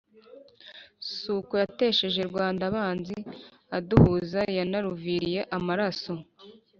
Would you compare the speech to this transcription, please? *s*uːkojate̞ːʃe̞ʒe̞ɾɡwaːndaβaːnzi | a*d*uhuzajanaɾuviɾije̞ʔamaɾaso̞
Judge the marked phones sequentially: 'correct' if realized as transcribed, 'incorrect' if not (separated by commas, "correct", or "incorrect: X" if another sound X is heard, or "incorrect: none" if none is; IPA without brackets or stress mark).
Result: correct, correct